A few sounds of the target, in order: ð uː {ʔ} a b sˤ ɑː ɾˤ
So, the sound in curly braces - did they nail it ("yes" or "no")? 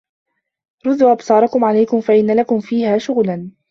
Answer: yes